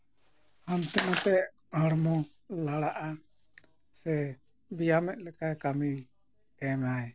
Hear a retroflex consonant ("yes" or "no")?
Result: yes